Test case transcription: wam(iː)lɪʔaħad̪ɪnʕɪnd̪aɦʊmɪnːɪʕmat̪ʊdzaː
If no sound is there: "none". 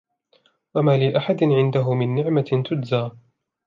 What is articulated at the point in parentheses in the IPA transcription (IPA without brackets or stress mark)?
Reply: aː